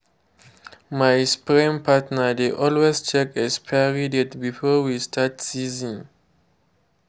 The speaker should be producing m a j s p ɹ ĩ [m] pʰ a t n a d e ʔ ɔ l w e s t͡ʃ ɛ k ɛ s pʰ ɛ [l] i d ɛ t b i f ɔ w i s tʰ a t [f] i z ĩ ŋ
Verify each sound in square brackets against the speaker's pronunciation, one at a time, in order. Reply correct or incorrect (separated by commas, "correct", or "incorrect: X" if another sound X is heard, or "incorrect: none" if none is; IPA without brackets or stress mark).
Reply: correct, incorrect: ɹ, incorrect: s